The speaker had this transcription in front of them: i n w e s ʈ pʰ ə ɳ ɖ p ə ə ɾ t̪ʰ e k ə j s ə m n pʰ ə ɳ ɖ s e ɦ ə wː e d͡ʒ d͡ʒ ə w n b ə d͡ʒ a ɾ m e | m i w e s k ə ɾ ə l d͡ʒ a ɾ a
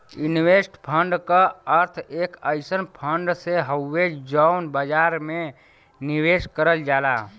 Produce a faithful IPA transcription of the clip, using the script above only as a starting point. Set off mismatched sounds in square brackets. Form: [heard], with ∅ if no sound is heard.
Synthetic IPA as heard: i n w e s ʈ pʰ ə ɳ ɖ [k] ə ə ɾ t̪ʰ e k ə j s ə [∅] n pʰ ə ɳ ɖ s e ɦ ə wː e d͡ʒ d͡ʒ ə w n b ə d͡ʒ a ɾ m e | [n] i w e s k ə ɾ ə l d͡ʒ a [l] a